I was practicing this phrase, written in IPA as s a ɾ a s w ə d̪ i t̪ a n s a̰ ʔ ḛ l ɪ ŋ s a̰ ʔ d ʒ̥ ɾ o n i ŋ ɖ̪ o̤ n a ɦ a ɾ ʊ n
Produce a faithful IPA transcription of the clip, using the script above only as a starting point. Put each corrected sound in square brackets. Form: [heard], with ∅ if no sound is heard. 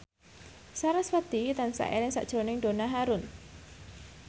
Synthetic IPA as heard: s a ɾ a s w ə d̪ i t̪ a n s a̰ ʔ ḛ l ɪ ŋ s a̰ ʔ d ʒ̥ ɾ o n [ɪ] ŋ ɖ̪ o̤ n a ɦ a ɾ ʊ n